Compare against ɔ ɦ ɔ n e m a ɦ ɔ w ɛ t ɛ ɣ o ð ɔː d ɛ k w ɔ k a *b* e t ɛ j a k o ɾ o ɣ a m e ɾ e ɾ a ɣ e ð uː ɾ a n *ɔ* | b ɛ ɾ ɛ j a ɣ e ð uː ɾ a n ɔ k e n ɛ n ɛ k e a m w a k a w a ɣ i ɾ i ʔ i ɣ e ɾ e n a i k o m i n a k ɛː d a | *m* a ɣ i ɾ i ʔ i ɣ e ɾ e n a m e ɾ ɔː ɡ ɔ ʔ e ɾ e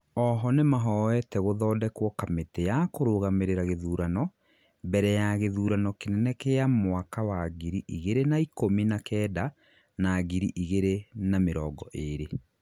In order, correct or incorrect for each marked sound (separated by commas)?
incorrect, correct, incorrect